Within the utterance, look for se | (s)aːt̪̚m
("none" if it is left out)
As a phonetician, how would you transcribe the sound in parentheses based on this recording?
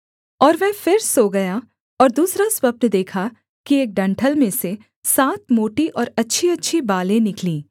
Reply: s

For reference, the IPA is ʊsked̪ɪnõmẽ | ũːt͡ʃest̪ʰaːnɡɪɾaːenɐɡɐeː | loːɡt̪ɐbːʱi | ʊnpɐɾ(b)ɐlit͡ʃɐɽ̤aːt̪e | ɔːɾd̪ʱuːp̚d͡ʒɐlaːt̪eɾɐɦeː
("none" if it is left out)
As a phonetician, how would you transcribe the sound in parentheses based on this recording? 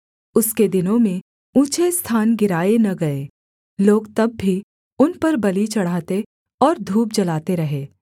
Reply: b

